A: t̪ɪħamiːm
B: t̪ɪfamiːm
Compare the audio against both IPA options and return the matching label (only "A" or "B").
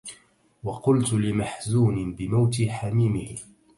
A